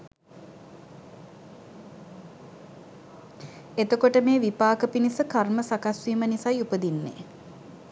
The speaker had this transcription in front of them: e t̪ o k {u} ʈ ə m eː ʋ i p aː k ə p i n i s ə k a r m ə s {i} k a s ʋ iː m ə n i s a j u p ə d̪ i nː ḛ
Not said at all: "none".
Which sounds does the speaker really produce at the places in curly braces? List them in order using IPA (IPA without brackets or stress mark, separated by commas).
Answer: o, a